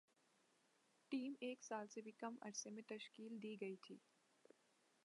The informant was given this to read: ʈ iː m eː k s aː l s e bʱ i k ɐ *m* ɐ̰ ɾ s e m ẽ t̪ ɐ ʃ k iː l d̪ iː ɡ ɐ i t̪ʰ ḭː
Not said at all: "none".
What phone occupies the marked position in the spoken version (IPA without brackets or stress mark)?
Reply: m